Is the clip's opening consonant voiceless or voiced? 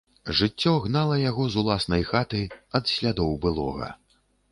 voiced